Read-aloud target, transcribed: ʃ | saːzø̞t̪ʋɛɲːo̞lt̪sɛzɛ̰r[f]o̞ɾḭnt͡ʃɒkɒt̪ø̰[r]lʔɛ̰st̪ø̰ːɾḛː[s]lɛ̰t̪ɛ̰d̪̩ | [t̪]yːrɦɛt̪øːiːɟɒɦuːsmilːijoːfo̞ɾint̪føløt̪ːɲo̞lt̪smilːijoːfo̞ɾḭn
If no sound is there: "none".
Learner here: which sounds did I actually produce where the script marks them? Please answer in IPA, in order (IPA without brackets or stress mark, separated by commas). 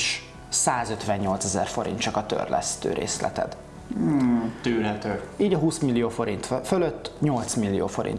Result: f, r, s, t̪